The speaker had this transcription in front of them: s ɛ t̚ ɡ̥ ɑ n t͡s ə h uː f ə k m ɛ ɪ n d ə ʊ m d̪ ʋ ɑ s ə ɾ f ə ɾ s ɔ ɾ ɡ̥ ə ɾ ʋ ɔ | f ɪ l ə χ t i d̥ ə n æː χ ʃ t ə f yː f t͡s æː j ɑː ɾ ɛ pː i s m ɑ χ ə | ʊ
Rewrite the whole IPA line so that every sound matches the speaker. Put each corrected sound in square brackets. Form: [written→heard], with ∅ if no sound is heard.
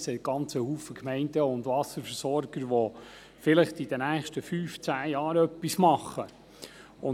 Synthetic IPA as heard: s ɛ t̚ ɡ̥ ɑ n t͡s ə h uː f ə k m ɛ ɪ n d ə ʊ [m→n] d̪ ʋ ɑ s ə ɾ f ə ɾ s ɔ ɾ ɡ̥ ə ɾ ʋ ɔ | f ɪ l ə χ t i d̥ ə n æː χ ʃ t ə f yː f t͡s æː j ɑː ɾ [ɛ→œ] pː i s m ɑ χ ə | ʊ